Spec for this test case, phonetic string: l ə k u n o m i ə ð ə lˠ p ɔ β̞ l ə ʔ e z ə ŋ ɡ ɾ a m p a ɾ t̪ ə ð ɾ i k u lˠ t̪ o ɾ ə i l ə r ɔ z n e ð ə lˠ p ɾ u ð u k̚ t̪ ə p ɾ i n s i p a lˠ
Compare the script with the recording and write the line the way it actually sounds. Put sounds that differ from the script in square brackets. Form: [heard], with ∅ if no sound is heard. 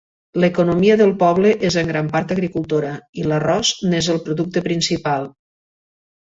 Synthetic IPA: l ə k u n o m i ə ð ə lˠ p ɔ β̞ l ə ʔ e z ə ŋ ɡ ɾ a m p a ɾ t̪ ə [ɣ] ɾ i k u lˠ t̪ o ɾ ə i l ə r ɔ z n e [z] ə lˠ p ɾ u ð u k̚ t̪ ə p ɾ i n s i p a lˠ